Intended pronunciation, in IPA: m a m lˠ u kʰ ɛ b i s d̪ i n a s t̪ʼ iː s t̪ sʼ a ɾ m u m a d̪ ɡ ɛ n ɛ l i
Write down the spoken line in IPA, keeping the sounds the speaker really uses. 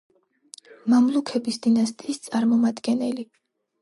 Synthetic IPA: m a m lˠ u kʰ ɛ b i s d̪ i n a s t̪ʼ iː s t̪ sʼ a ɾ m ɔ m a d̪ ɡ ɛ n ɛ l i